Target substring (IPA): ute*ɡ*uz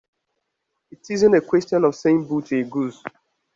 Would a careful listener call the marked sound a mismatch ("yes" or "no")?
no